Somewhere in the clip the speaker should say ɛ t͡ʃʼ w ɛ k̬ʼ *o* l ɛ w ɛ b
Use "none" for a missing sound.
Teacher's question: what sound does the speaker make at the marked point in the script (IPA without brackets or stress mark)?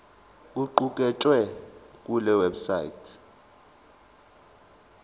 u